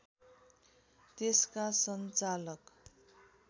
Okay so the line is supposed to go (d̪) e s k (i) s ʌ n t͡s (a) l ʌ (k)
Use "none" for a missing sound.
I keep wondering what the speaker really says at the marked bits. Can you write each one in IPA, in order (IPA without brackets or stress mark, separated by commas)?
t̪, a, a, k